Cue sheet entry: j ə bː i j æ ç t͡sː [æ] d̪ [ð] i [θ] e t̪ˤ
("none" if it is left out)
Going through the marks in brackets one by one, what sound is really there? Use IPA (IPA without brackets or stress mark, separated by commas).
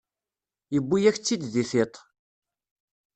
i, ð, θ